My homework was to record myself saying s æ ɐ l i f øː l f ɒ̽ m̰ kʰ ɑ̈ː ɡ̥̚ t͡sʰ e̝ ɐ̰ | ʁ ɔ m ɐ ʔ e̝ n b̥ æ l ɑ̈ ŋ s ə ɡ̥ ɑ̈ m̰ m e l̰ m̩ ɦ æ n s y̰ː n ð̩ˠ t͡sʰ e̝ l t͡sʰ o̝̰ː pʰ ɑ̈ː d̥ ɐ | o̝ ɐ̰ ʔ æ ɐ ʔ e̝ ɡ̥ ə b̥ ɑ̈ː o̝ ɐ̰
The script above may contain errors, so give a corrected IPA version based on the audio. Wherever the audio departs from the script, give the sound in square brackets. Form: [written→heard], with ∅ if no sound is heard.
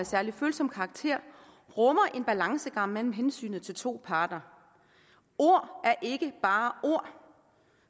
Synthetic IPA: s æ ɐ l i f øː l [f→s] ɒ̽ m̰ kʰ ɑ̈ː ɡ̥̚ t͡sʰ e̝ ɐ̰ | ʁ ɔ m ɐ ʔ e̝ n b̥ æ l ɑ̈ ŋ s ə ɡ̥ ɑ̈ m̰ m e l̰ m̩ ɦ [æ→e] n s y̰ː n ð̩ˠ t͡sʰ e̝ l t͡sʰ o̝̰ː pʰ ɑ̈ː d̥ ɐ | o̝ ɐ̰ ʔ æ ɐ ʔ e̝ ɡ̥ ə b̥ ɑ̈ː o̝ ɐ̰